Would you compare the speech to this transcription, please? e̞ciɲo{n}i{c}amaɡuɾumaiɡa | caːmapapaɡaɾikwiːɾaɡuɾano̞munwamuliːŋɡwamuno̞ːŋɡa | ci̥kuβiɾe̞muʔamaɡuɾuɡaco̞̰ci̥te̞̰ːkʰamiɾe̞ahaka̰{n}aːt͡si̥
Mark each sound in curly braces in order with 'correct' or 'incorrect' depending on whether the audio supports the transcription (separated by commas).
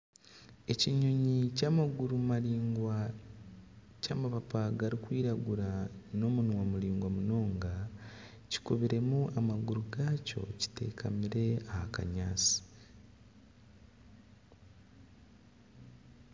incorrect, correct, incorrect